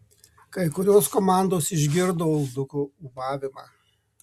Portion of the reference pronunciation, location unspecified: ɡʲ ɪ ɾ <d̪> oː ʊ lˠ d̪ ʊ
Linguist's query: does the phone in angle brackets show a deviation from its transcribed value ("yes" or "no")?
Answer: no